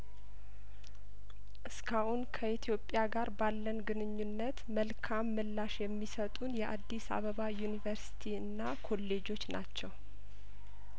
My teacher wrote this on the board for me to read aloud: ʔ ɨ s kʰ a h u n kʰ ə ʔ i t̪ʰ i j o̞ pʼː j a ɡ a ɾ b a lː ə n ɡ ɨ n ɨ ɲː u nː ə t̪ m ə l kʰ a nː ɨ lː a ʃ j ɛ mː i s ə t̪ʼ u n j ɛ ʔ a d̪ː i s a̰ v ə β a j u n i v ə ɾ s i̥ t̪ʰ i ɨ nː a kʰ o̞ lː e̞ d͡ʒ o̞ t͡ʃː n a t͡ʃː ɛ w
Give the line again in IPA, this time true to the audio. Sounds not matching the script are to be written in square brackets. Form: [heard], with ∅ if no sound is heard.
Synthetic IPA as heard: ʔ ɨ s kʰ a h u n kʰ ə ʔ i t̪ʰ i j o̞ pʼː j a ɡ a ɾ b a lː ə n ɡ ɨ n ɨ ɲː u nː ə t̪ m ə l kʰ a [mː] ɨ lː a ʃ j ɛ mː i s ə t̪ʼ u n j ɛ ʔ a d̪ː i s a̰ [β] ə β a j u n i v ə ɾ s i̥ t̪ʰ i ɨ nː a kʰ o̞ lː e̞ d͡ʒ o̞ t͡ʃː n a t͡ʃː ɛ w

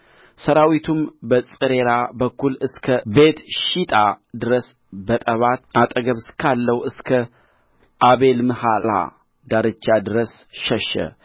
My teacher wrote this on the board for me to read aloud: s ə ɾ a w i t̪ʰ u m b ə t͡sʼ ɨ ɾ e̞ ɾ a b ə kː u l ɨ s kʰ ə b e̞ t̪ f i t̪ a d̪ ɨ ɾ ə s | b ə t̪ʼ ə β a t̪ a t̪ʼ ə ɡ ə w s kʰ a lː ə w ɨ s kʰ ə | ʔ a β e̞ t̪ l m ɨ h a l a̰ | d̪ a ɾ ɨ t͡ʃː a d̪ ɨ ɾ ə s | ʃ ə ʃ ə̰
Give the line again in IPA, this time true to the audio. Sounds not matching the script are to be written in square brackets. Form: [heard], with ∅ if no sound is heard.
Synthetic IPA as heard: s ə ɾ a w i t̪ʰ u m b ə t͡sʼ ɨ ɾ e̞ ɾ a b ə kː u l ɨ s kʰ ə b e̞ t̪ [ʃ] i [t̪ʼ] a d̪ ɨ ɾ ə s | b ə t̪ʼ ə β a t̪ a t̪ʼ ə ɡ ə [β] s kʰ a lː ə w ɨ s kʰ ə | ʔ a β e̞ [∅] l m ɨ h a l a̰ | d̪ a ɾ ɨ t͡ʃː a d̪ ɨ ɾ ə s | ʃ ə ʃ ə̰

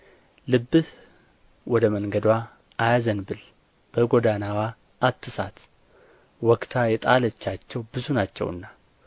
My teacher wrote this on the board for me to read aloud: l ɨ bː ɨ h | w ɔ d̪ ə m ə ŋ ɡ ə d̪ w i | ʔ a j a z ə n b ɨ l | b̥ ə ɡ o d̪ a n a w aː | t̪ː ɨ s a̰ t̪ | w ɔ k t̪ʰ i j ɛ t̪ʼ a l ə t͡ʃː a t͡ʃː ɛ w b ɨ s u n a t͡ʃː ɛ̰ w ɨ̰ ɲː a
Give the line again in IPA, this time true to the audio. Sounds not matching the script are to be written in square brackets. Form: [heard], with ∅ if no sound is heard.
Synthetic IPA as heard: l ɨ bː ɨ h | w ɔ d̪ ə m ə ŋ ɡ ə d̪ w [a] | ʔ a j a z ə n b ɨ l | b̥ ə ɡ o d̪ a n a w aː | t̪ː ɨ s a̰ t̪ | w ɔ k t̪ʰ [a] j ɛ t̪ʼ a l ə t͡ʃː a t͡ʃː ɛ w b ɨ [z] u n a t͡ʃː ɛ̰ w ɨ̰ [nː] a

